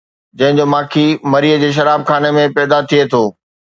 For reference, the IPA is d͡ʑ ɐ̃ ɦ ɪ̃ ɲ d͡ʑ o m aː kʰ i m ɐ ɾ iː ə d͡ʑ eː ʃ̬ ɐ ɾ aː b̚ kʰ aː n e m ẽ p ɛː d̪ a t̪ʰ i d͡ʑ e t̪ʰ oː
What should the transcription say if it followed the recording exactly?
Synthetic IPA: d͡ʑ ɐ̃ ɦ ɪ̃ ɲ d͡ʑ o m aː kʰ i m ɐ ɾ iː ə d͡ʑ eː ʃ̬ ɐ ɾ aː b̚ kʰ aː n e m ẽ p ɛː d̪ a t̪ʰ i e t̪ʰ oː